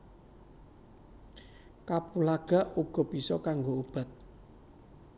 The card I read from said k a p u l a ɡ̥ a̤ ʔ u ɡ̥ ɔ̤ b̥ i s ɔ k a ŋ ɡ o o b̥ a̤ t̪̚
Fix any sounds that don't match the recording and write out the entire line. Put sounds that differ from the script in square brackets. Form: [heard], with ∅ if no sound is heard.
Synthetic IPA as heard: k a p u l a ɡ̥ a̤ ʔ u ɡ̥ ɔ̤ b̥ i s ɔ k a ŋ ɡ o [u] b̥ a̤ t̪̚